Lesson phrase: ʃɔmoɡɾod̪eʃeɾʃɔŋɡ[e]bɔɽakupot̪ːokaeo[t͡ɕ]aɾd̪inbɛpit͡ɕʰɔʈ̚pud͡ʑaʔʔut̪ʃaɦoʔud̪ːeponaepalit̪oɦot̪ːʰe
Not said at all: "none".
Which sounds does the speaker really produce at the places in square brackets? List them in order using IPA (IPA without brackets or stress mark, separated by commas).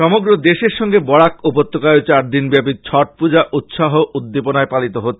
e, t͡ɕ